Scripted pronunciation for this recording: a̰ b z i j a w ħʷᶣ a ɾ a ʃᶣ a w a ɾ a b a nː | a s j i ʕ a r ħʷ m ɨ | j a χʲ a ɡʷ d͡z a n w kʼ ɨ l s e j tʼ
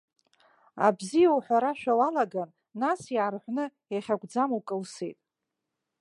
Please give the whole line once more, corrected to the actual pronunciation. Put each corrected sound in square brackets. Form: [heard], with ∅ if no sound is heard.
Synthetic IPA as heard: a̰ b z i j a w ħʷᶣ a ɾ a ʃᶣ a w a [l] a [ɡ] a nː | a s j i ʕ a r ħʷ [n] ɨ | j a χʲ a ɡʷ d͡z a [m] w kʼ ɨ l s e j tʼ